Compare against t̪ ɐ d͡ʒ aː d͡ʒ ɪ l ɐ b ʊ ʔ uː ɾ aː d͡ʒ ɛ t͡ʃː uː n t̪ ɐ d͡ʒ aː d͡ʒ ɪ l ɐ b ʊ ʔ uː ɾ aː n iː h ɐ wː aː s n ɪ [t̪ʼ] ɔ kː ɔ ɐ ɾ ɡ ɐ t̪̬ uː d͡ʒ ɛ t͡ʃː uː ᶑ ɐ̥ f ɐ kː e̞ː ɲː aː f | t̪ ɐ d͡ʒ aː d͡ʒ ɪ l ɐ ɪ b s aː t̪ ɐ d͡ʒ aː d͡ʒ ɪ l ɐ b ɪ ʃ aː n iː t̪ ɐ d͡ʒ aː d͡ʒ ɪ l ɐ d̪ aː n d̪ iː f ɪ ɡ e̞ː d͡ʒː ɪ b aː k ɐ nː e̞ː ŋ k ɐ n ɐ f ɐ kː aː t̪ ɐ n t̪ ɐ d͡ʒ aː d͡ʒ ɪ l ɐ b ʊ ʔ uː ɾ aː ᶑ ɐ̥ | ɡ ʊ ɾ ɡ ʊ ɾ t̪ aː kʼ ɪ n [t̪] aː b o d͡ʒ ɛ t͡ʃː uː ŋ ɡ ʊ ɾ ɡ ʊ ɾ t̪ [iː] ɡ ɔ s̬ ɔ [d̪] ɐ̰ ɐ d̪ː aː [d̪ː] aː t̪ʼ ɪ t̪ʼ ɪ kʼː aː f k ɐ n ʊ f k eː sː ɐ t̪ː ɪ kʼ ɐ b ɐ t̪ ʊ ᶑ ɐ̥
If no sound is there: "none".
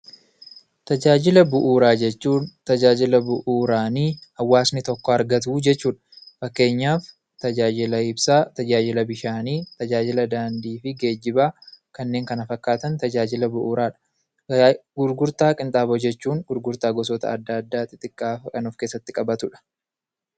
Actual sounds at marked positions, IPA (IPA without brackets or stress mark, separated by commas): t̪, t̪ʼ, aː, t̪, d̪ː